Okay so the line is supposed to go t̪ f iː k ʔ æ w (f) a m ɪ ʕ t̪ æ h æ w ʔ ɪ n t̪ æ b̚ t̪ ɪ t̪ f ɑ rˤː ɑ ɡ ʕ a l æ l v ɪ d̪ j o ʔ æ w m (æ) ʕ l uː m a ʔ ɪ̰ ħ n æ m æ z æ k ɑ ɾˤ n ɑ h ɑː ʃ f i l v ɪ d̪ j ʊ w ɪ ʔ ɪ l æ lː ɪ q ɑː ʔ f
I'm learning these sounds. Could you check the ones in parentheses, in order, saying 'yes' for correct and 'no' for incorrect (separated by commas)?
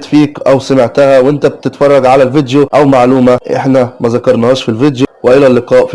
no, no